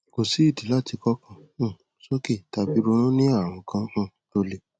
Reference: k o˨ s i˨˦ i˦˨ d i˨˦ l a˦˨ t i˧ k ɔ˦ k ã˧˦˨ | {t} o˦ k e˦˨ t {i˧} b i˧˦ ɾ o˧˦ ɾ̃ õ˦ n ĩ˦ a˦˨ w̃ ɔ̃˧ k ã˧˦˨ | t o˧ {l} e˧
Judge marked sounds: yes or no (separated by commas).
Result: no, no, yes